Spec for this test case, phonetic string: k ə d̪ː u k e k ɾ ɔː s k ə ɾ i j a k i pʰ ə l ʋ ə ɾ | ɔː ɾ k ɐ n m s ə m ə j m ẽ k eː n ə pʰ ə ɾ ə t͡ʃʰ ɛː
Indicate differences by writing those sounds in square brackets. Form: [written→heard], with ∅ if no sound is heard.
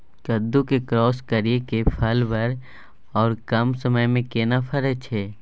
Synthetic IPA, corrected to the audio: k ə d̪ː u k e k ɾ ɔː s k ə ɾ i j [a→e] k [i→e] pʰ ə l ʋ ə ɾ | ɔː ɾ k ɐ [n→∅] m s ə m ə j m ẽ k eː n [ə→a] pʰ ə ɾ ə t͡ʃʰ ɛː